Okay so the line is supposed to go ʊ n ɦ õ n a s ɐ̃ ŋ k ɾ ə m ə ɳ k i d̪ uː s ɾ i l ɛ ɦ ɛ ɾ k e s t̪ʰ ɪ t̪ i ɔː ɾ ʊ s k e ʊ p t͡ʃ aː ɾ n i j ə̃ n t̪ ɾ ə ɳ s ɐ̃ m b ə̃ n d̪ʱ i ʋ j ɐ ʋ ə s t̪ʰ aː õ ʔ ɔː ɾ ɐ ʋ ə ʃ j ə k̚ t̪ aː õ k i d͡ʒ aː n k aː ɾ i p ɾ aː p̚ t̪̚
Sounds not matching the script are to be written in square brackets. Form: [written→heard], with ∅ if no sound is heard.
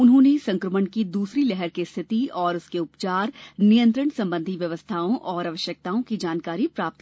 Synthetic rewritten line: ʊ n ɦ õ n [a→e] s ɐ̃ ŋ k ɾ ə m ə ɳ k i d̪ uː s ɾ i l ɛ ɦ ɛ ɾ k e s t̪ʰ ɪ t̪ i ɔː ɾ ʊ s k e ʊ p t͡ʃ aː ɾ n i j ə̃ n t̪ ɾ ə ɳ s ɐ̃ m b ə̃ n d̪ʱ i ʋ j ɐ ʋ ə s t̪ʰ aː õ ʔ ɔː ɾ ɐ ʋ ə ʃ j ə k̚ t̪ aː õ k i d͡ʒ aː n k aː ɾ i p ɾ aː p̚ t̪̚